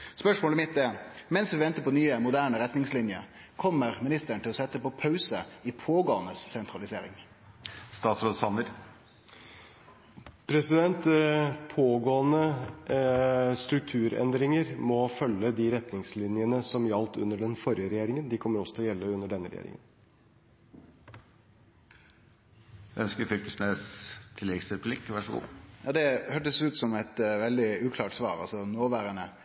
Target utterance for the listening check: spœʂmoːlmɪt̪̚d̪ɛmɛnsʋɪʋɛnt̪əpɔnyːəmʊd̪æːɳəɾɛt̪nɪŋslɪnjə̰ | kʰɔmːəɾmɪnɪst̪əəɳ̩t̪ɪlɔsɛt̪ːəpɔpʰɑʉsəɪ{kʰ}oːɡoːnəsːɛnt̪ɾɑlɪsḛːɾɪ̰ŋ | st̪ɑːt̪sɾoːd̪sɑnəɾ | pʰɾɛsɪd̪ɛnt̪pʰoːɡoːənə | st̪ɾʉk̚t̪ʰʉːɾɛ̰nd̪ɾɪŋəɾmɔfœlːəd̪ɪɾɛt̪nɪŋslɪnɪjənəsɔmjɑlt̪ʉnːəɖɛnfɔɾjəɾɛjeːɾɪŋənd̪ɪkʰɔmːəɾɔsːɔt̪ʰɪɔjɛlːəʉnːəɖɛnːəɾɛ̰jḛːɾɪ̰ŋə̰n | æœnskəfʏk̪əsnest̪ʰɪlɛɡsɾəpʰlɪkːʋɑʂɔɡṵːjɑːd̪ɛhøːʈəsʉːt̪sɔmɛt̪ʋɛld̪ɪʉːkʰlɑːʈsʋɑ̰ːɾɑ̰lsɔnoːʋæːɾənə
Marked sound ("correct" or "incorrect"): incorrect